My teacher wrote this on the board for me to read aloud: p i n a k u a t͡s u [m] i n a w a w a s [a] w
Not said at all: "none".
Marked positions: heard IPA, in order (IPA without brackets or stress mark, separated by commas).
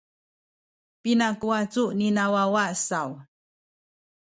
n, a